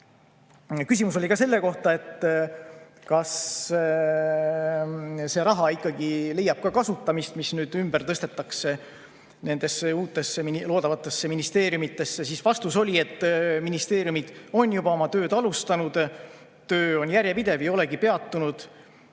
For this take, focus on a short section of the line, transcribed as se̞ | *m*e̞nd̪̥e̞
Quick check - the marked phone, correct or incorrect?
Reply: incorrect